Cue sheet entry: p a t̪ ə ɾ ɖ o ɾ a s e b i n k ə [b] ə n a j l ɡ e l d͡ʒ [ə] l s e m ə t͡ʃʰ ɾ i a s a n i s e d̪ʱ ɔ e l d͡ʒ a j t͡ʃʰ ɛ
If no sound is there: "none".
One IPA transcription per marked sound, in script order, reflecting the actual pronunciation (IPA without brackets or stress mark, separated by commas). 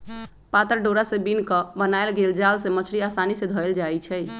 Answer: b, a